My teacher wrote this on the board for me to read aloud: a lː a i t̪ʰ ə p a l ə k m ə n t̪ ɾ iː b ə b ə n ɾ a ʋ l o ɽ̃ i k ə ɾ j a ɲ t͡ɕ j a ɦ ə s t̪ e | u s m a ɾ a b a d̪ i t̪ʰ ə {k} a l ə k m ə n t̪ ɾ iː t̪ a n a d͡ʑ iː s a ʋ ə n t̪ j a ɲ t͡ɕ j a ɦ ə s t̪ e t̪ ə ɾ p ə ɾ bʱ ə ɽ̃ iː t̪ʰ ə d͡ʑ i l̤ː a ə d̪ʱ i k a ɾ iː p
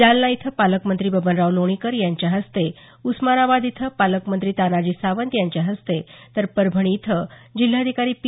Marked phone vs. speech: incorrect: p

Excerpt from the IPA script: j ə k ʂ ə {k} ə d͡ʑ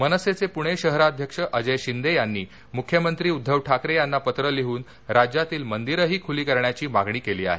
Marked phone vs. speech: incorrect: ʔ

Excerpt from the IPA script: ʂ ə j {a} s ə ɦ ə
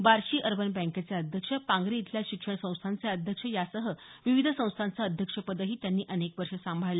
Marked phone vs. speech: correct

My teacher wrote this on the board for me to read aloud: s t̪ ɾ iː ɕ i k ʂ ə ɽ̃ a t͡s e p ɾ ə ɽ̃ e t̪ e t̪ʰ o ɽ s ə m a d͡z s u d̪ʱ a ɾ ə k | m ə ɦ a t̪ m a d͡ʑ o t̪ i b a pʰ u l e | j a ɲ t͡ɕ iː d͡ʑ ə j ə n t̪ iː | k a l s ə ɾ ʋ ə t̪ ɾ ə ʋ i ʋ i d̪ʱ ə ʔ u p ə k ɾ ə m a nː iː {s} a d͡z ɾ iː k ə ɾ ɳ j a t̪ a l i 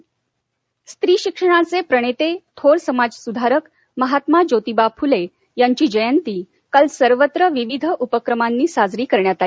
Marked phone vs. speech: correct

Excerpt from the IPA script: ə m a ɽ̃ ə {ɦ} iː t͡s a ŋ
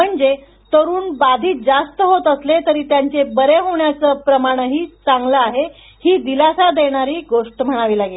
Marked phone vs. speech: correct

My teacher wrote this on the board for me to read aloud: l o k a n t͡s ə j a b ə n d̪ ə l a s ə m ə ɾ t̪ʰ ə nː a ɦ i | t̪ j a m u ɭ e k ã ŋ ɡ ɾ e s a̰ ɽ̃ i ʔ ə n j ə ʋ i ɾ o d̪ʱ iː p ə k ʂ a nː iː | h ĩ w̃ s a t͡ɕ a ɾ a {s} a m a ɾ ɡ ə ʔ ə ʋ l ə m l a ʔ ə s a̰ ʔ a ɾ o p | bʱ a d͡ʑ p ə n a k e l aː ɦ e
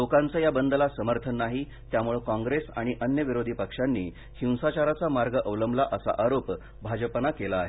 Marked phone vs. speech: incorrect: t͡s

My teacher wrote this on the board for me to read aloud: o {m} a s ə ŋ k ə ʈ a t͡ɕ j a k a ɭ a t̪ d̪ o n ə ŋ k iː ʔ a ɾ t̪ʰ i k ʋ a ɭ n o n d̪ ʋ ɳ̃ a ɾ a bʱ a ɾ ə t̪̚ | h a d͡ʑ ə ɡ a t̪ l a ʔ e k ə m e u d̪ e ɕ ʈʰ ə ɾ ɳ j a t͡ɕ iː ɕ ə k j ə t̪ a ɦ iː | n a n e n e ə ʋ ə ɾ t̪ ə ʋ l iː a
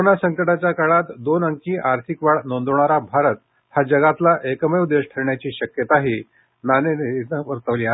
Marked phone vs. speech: incorrect: n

